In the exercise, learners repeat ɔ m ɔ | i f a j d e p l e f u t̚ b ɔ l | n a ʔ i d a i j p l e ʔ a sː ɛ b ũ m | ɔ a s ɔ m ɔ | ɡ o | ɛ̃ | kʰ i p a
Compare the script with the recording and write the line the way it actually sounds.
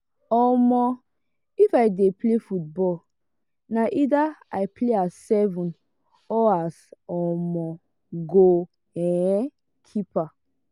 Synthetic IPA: ɔ m ɔ | i f a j d e p l e f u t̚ b ɔ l | n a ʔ i d a a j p l e a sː ɛ v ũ n | ɔ a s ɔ m ɔ | ɡ o | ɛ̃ | kʰ i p a